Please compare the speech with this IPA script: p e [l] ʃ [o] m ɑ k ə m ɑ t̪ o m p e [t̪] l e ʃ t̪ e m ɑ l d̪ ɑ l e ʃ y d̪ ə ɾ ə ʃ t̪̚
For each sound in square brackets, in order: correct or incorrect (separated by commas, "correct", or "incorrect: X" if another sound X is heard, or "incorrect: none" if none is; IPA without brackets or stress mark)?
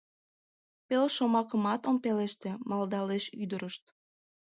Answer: correct, correct, incorrect: none